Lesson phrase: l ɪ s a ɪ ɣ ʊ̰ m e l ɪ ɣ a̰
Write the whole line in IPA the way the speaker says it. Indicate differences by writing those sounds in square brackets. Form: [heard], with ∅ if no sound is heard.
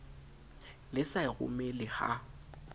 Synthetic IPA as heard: l ɪ s a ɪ ɣ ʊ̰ m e l ɪ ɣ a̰

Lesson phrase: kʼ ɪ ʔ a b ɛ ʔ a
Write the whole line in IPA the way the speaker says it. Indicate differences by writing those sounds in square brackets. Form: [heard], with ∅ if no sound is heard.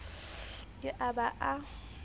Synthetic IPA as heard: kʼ ɪ ʔ a b [a] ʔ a

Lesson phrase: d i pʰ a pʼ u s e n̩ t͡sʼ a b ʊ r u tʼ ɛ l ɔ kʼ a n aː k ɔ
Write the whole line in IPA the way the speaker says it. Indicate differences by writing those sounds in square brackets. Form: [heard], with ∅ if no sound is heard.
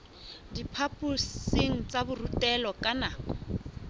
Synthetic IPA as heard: d i pʰ a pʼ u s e [ŋ̩] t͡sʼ a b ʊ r u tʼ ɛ l ɔ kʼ a n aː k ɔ

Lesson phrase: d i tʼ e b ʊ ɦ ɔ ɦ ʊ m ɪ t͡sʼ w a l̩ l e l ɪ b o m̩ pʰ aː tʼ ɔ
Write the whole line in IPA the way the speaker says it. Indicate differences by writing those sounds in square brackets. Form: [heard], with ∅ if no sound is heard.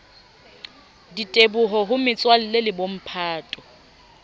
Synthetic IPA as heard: d i tʼ e b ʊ ɦ ɔ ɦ ʊ m ɪ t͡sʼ w a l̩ l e l ɪ b o m̩ pʰ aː tʼ ɔ

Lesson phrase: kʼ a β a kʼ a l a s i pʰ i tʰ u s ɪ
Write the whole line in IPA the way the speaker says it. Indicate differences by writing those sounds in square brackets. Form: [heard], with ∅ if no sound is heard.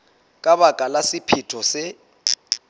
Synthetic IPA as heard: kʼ a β a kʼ a l a s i pʰ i tʰ [ɔ] s ɪ

